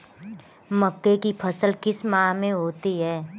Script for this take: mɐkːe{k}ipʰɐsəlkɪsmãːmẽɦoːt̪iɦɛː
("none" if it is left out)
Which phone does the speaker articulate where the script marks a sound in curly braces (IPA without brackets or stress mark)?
k